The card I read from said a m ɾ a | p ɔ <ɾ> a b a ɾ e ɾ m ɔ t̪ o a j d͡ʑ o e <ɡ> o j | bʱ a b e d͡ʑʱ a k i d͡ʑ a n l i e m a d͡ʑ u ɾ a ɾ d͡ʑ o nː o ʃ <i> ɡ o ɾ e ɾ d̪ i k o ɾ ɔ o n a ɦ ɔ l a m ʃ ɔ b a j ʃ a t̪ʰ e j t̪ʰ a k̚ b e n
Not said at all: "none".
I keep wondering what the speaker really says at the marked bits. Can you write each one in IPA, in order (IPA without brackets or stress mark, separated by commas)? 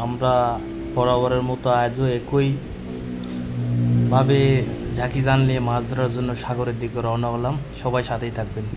ɾ, k, a